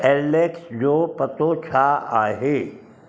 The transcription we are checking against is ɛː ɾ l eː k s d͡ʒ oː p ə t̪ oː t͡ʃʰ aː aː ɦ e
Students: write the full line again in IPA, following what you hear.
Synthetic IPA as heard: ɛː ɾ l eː k s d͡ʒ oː p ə t̪ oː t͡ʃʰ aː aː ɦ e